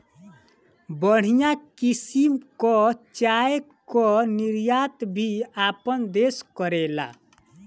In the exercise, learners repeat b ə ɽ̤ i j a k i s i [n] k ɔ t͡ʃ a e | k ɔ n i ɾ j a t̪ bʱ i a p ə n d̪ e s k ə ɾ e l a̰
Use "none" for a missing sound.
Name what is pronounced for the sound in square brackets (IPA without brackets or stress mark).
m